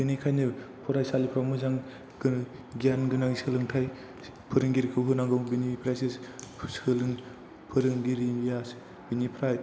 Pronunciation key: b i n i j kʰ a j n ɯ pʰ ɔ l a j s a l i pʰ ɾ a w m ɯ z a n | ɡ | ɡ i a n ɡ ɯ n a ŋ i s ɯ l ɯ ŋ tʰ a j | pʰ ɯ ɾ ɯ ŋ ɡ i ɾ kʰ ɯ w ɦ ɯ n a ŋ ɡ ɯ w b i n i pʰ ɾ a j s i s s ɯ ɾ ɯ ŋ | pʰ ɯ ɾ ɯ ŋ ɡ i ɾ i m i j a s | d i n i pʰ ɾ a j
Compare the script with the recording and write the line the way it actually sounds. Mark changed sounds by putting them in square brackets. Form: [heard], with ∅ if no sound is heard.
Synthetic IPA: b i n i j kʰ a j n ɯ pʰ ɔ [ɾ] a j s a l i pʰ ɾ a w m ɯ z a [ŋ] | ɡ | ɡ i a n ɡ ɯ n a ŋ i s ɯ l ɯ ŋ tʰ a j | pʰ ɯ ɾ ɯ ŋ ɡ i ɾ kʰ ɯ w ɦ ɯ n a ŋ ɡ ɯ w b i n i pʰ ɾ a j s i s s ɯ [l] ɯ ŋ | pʰ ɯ ɾ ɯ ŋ ɡ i ɾ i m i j a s | [b] i n i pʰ ɾ a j